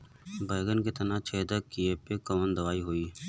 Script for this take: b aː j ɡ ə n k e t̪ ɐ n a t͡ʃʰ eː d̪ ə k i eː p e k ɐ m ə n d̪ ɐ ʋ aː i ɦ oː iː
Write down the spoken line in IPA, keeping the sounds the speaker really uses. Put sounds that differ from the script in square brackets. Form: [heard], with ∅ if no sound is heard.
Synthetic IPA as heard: b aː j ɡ ə n k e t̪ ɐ n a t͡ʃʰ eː d̪ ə k i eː p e k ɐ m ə n d̪ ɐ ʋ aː i ɦ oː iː